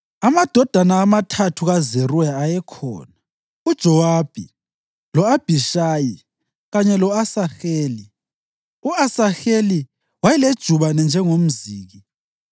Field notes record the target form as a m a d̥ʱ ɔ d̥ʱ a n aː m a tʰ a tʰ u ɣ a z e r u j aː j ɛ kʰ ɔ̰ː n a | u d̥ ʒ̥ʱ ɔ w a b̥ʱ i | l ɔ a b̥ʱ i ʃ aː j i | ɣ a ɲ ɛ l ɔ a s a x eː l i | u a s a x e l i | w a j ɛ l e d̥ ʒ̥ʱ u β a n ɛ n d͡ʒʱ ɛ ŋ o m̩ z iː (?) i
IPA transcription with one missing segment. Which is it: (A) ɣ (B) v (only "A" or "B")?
A